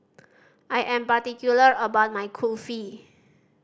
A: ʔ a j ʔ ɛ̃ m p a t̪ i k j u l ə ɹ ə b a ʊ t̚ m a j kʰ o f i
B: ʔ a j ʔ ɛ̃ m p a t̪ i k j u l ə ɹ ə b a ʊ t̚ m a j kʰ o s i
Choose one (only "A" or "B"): A